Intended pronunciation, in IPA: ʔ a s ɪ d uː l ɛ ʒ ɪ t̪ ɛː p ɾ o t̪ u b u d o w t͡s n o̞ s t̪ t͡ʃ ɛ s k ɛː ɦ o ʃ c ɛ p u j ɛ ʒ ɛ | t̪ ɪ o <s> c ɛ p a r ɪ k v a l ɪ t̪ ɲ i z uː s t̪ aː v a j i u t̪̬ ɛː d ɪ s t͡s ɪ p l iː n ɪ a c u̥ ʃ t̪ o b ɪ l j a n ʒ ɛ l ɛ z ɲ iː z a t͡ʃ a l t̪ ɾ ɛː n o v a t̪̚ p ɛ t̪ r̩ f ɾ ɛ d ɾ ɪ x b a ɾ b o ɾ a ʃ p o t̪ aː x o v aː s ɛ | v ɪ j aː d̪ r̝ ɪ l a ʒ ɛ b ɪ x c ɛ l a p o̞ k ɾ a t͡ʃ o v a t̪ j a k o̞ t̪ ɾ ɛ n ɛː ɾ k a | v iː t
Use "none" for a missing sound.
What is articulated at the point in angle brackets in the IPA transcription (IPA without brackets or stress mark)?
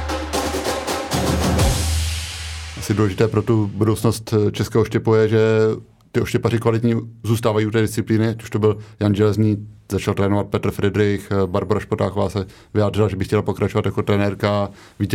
ʃ